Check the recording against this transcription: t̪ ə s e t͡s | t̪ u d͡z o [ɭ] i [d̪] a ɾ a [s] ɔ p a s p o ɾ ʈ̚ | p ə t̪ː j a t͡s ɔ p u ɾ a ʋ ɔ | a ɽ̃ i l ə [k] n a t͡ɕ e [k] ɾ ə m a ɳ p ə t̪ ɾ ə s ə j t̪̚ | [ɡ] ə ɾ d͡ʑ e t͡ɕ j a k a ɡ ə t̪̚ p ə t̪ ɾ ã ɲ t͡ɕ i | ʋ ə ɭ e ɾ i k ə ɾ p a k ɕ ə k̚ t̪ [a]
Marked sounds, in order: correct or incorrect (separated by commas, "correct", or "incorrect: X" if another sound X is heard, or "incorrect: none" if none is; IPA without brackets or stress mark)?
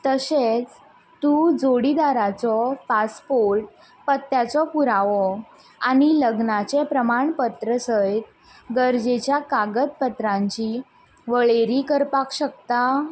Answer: incorrect: ɽ, correct, incorrect: t͡s, incorrect: ɡ, incorrect: p, correct, correct